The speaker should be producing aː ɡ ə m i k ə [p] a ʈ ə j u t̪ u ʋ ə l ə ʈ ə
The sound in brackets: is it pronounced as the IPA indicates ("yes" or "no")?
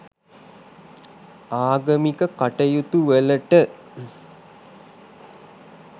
no